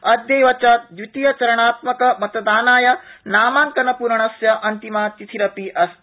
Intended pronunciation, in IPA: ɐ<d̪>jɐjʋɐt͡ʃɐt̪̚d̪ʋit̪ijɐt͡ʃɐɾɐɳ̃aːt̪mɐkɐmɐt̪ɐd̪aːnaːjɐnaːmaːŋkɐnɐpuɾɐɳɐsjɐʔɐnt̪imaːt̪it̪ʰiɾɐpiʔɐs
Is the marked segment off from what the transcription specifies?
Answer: no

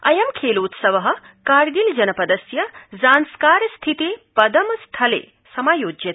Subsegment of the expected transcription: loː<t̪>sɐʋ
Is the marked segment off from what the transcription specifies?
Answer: no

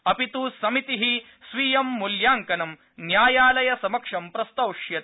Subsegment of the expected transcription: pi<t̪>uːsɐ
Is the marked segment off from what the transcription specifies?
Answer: no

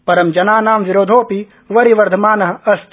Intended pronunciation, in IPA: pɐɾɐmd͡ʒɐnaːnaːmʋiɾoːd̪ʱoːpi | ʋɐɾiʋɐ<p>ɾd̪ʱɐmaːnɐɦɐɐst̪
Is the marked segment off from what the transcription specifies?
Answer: yes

